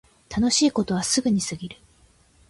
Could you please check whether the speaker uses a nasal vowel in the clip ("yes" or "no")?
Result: no